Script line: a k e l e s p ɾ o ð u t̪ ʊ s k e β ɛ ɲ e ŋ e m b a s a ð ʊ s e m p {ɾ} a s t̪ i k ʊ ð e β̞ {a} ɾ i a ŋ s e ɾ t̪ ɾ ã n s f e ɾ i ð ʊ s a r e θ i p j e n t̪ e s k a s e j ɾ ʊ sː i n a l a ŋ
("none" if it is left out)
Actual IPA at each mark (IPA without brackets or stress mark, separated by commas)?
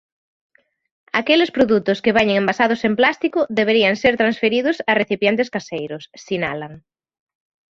l, e